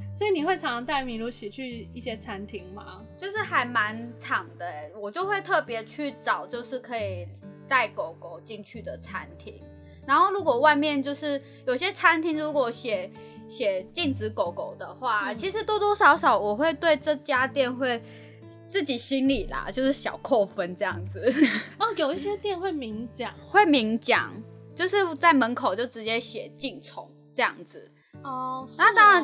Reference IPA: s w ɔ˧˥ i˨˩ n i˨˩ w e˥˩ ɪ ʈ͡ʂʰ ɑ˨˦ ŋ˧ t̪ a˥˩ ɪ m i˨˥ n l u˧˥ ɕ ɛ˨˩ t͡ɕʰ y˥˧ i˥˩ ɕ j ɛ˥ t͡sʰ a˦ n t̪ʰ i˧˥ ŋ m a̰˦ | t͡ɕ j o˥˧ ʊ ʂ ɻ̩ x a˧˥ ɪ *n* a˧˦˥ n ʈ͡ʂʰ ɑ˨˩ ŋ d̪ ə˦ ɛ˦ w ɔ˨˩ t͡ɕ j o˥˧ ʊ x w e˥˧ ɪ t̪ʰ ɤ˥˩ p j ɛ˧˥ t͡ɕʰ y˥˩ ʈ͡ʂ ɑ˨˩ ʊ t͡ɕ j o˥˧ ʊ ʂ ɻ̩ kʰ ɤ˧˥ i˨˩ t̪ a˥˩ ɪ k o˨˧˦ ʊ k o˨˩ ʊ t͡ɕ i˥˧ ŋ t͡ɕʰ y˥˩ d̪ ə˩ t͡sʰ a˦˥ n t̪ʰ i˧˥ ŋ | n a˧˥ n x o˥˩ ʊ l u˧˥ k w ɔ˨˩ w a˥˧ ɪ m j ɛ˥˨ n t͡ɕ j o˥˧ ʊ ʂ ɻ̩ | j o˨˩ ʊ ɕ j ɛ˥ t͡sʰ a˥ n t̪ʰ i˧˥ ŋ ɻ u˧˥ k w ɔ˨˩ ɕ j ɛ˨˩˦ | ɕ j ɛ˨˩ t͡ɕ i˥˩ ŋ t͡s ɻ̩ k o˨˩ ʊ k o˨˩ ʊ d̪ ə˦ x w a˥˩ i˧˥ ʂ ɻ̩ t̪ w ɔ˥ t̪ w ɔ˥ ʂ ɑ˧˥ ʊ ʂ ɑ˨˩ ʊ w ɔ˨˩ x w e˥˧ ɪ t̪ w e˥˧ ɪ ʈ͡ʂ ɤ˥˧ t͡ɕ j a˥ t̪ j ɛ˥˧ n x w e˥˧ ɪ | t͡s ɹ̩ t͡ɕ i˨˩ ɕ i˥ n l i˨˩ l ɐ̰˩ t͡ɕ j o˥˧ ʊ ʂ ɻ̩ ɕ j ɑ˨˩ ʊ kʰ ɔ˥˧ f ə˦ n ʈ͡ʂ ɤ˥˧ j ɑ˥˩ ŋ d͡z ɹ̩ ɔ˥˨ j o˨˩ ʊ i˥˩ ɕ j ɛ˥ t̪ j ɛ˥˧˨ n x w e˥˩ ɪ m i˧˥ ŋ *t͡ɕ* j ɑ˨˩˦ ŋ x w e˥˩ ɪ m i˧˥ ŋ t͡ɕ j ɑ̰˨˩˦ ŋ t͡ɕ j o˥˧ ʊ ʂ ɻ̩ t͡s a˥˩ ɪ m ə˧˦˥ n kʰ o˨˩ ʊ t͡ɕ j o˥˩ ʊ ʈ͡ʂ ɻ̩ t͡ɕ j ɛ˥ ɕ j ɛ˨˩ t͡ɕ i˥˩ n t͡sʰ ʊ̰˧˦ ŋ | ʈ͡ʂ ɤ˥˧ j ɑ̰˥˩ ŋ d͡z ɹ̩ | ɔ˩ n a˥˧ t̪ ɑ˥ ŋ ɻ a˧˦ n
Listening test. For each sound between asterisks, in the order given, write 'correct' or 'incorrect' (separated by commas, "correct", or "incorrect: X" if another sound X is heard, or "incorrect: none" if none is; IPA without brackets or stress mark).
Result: incorrect: m, correct